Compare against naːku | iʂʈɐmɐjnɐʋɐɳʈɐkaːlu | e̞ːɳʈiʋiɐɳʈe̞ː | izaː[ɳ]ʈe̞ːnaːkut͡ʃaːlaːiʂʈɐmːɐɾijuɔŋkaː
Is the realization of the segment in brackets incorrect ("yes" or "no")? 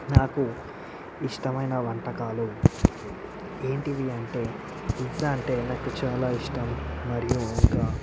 no